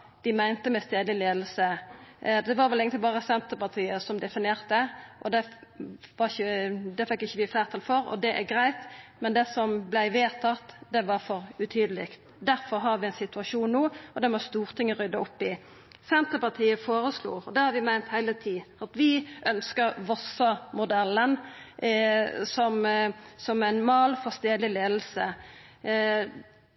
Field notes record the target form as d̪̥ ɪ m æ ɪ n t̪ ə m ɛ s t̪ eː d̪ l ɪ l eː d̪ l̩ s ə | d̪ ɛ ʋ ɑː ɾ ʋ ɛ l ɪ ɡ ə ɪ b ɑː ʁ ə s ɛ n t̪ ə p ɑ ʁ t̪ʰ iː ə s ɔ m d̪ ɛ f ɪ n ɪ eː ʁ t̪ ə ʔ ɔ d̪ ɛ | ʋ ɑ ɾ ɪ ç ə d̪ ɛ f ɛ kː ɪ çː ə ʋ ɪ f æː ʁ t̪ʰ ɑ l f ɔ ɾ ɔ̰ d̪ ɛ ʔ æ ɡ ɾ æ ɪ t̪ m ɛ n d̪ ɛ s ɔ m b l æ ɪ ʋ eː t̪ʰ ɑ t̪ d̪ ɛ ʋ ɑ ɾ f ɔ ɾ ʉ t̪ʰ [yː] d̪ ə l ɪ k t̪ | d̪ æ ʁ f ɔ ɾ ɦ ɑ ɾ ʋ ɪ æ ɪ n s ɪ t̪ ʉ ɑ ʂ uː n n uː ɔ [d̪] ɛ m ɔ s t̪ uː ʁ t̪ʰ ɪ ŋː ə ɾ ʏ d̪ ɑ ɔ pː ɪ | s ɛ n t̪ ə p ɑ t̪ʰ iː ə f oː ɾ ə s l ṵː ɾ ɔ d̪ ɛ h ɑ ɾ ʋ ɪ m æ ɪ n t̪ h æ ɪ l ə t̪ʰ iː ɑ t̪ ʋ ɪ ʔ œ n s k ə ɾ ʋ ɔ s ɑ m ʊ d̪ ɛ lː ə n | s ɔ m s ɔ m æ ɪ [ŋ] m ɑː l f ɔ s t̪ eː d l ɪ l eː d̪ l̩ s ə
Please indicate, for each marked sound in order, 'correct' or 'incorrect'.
correct, correct, incorrect: n

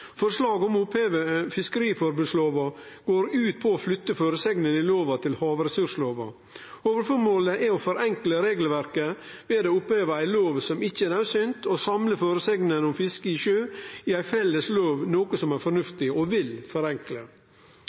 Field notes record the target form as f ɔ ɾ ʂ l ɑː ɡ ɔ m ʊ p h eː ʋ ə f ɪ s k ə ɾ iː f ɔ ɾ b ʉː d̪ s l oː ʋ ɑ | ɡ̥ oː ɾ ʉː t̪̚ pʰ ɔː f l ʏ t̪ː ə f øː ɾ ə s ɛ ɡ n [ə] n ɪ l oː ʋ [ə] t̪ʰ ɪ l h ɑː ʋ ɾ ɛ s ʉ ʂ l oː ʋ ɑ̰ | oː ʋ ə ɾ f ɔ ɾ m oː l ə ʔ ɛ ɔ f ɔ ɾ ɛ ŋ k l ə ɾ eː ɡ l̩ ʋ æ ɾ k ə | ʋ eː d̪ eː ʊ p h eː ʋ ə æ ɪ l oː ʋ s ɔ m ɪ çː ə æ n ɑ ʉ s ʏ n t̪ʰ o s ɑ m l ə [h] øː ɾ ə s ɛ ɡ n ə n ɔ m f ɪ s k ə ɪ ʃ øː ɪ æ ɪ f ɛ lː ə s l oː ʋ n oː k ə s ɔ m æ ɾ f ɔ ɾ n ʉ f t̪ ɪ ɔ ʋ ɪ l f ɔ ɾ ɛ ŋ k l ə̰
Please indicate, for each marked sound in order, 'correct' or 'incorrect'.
correct, incorrect: ɑ, incorrect: f

